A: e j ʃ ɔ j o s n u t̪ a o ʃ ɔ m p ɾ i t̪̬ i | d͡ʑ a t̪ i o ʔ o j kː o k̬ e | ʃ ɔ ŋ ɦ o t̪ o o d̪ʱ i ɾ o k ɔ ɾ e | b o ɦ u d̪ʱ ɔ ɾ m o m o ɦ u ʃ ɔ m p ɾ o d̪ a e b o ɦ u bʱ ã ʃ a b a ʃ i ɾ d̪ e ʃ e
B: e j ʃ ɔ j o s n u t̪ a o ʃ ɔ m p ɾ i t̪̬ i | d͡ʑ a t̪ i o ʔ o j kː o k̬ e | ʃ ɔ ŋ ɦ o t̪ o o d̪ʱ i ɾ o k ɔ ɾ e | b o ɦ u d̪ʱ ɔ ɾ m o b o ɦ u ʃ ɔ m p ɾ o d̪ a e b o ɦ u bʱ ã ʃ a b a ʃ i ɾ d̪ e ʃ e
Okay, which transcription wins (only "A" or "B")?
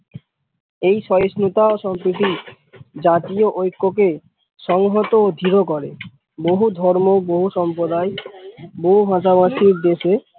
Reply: B